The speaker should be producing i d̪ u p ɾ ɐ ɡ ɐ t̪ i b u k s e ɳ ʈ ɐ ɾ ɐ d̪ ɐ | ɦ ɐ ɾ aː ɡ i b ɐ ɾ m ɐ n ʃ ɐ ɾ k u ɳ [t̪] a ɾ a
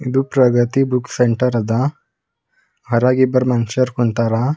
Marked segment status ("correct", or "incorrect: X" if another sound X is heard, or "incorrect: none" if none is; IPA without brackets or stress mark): correct